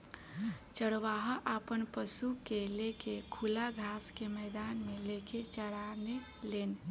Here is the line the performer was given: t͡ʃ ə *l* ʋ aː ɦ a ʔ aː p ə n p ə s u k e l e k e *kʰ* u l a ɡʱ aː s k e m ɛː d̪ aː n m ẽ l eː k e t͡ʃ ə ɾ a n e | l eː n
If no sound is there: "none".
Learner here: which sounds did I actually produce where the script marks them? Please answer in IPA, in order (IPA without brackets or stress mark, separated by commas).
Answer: ɽ, kʰ